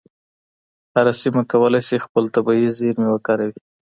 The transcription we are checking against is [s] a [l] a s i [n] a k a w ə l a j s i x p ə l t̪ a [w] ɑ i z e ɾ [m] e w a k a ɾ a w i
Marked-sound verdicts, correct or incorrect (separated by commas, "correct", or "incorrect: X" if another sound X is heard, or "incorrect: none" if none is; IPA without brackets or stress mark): incorrect: h, incorrect: ɾ, incorrect: m, incorrect: b, correct